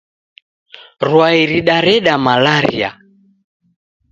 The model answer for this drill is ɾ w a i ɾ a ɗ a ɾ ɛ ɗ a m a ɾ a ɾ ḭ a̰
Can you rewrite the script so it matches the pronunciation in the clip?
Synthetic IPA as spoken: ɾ w a i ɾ i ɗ a ɾ ɛ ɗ a m a l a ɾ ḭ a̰